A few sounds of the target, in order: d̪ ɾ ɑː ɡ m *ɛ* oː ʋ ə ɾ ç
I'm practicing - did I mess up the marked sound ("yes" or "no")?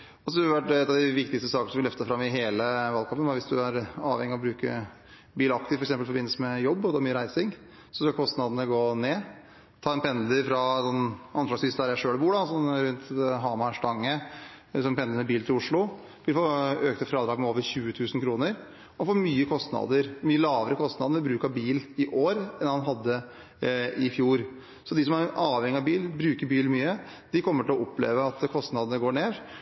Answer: no